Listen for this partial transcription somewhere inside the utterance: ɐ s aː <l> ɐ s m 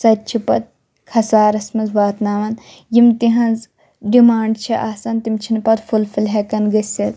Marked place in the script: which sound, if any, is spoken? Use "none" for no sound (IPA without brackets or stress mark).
ɾ